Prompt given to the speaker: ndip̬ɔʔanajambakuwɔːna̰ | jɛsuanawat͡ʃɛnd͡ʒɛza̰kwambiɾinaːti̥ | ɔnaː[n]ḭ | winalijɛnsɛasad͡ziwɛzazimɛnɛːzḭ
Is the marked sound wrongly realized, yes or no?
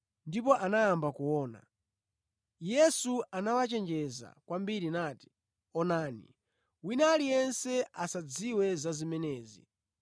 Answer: no